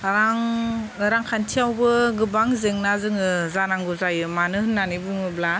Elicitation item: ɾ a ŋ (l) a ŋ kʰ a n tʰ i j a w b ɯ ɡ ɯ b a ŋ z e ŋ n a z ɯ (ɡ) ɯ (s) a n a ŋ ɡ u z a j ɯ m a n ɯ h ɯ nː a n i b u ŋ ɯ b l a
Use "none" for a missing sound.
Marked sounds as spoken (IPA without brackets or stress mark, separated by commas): ɾ, ŋ, z